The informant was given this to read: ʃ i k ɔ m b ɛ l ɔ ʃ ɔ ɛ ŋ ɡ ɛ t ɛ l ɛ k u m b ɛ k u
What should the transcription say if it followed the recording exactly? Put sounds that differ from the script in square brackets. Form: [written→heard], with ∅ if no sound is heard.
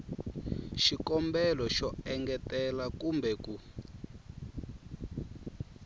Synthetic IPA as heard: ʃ i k ɔ m b ɛ l ɔ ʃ ɔ ɛ ŋ ɡ ɛ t ɛ l [ɛ→a] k u m b ɛ k u